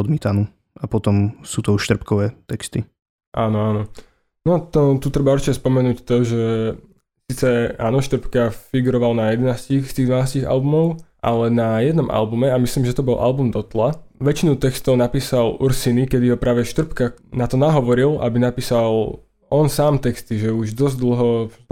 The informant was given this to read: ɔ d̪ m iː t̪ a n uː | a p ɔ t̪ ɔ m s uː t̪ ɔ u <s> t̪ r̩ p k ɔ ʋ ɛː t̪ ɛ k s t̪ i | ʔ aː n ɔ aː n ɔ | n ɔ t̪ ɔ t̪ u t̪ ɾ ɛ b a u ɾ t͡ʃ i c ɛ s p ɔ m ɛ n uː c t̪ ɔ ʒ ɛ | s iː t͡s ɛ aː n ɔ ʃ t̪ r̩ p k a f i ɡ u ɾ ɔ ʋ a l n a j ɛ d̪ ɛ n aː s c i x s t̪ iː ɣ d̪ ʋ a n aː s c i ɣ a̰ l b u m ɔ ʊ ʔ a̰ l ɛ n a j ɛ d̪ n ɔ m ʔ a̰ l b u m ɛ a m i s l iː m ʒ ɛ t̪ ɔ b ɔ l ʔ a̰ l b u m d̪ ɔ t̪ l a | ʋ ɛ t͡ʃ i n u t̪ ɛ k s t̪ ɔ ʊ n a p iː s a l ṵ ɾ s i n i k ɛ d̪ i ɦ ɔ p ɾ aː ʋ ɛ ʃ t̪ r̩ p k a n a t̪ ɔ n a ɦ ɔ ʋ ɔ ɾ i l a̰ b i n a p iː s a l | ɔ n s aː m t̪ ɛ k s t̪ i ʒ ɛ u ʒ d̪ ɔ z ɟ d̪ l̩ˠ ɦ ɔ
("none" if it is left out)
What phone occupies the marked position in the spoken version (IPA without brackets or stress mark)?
ʃ